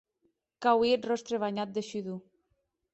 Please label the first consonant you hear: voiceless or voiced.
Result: voiceless